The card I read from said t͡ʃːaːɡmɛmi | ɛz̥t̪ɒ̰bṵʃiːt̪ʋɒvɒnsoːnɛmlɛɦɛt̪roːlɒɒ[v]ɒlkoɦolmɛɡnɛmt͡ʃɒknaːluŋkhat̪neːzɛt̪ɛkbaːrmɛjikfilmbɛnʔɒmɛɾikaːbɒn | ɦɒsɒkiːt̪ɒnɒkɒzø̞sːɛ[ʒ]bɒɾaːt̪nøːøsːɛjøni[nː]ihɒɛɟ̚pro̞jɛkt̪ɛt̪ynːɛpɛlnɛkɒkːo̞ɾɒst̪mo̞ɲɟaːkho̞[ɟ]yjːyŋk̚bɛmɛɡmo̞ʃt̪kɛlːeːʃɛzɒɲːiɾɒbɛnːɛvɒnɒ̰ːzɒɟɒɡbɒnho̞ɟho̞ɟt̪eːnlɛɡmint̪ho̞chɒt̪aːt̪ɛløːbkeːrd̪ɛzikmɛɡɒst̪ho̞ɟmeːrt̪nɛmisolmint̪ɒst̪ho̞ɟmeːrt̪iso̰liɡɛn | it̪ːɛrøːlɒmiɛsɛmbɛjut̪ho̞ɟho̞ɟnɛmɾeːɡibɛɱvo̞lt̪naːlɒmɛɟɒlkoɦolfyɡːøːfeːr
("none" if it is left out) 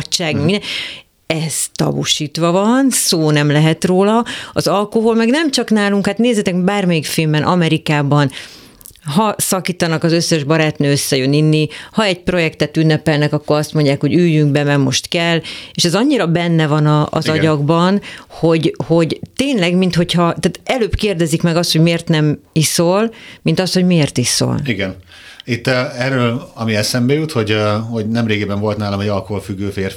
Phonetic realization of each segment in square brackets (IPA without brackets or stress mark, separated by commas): z, ʒ, nː, ɟ